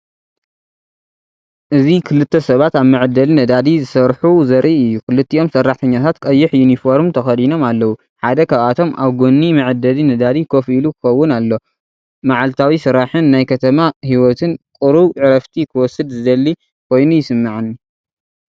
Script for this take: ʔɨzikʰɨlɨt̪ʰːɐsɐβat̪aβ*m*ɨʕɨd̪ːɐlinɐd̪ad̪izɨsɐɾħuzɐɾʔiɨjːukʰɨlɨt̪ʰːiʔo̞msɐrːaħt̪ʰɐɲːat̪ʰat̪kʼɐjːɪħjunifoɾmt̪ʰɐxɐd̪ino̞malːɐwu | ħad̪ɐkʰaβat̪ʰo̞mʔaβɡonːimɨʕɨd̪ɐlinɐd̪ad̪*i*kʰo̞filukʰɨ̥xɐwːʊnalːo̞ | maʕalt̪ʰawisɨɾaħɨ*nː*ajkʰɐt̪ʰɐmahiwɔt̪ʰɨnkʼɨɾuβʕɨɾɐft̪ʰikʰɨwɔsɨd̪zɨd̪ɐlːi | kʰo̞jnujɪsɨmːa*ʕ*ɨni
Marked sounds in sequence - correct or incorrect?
correct, correct, correct, correct

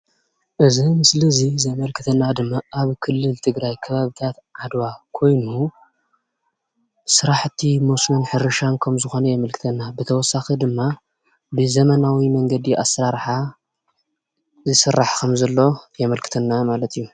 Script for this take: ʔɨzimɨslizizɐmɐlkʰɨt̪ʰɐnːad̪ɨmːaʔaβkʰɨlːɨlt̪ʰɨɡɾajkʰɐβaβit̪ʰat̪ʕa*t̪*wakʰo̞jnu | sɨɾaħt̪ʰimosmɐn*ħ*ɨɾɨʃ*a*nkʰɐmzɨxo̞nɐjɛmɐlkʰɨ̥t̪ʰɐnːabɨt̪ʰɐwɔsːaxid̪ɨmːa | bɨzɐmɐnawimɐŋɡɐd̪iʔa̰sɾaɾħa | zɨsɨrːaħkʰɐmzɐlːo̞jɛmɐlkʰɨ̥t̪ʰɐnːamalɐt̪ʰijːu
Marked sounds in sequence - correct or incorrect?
incorrect: d̪, correct, correct

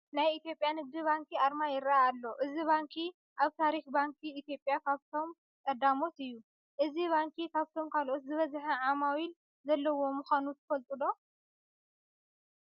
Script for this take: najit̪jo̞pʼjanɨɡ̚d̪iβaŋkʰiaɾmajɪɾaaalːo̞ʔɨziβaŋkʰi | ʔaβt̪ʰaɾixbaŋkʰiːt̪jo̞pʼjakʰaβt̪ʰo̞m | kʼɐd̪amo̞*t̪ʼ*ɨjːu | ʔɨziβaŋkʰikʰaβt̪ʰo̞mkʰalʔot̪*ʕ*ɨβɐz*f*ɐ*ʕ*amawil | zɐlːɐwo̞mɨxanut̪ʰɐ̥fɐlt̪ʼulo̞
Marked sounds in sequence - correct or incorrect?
incorrect: t̪, incorrect: z, incorrect: ħ, correct

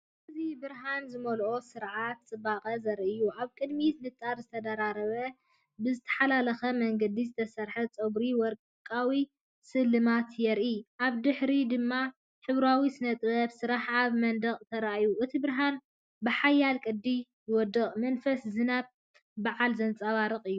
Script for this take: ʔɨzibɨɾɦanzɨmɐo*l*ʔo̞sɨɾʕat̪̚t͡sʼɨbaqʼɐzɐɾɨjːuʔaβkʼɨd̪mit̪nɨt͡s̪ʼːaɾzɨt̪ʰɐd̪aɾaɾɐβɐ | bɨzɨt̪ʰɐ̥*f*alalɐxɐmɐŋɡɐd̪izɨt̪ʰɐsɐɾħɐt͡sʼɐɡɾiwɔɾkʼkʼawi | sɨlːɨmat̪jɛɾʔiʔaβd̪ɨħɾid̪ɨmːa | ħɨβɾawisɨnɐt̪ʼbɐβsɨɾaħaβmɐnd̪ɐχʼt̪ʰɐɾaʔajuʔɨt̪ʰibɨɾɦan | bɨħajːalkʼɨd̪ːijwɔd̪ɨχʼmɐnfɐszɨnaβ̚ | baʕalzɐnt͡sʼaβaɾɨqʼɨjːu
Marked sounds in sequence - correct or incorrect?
correct, incorrect: ħ

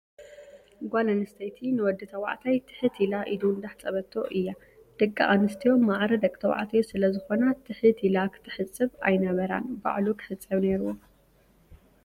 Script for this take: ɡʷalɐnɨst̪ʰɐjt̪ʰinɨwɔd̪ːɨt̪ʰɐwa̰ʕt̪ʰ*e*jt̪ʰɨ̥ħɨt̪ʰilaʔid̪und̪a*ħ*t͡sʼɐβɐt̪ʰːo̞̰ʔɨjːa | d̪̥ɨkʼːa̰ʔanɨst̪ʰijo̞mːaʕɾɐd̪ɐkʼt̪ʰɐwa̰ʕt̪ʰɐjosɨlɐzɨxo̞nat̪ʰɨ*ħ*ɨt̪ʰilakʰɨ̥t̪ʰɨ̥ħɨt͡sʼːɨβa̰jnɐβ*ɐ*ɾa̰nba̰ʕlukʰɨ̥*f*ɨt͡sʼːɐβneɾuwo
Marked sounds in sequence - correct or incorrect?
incorrect: a, correct, correct, correct, incorrect: ħ

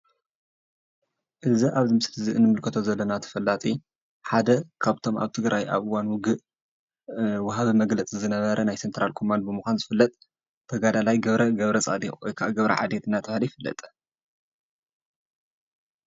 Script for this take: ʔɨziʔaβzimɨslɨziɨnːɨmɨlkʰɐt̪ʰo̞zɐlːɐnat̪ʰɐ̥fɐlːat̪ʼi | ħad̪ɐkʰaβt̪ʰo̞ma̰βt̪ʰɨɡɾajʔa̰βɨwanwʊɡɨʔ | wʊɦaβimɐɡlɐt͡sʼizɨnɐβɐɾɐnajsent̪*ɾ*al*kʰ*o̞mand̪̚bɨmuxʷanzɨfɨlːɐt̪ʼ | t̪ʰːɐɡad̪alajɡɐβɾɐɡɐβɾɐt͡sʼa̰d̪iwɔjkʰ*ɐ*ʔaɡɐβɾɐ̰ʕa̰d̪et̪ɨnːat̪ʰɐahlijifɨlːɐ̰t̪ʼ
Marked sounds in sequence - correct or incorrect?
correct, correct, incorrect: a

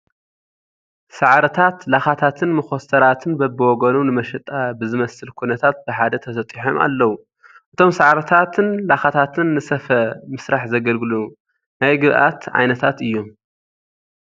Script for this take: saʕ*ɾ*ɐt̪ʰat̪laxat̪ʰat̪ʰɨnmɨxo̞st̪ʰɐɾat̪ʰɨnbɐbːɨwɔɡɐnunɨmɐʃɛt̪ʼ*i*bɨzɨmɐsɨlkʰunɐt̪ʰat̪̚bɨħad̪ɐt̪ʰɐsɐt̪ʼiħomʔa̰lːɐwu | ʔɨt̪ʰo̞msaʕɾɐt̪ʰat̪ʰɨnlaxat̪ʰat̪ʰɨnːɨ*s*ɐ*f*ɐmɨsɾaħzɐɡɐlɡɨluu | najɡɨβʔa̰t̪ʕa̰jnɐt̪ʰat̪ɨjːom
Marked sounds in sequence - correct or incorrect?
correct, incorrect: a, correct, correct

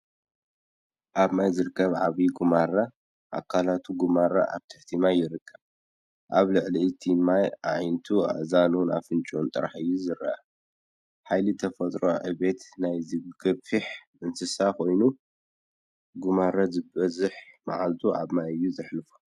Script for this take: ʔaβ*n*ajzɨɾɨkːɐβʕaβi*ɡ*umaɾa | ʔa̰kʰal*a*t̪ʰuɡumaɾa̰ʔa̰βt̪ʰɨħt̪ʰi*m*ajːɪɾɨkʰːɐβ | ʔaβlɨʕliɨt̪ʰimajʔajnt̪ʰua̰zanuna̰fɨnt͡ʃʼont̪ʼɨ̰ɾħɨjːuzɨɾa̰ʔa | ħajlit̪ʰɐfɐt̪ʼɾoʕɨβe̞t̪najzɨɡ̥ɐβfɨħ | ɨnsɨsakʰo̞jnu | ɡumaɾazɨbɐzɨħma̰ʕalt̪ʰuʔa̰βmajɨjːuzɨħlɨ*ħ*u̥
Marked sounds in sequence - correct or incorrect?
incorrect: m, correct, correct, correct, incorrect: f

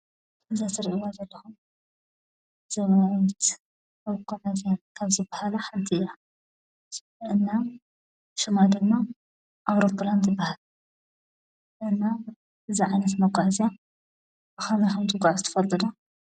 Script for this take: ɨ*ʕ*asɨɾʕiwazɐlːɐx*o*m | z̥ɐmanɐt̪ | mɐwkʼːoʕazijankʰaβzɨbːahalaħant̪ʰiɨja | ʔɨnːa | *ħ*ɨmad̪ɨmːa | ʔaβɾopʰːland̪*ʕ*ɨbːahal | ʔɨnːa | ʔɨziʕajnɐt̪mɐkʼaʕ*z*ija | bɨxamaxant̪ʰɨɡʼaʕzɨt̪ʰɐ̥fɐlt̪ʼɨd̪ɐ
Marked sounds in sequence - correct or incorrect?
incorrect: z, incorrect: u, incorrect: ʃ, incorrect: z, correct

